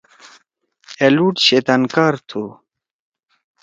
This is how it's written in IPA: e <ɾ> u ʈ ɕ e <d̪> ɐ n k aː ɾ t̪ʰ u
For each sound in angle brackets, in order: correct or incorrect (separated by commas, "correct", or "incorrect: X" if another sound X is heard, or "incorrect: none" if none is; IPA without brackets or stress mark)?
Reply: incorrect: l, incorrect: t̪